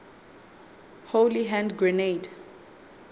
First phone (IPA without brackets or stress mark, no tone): h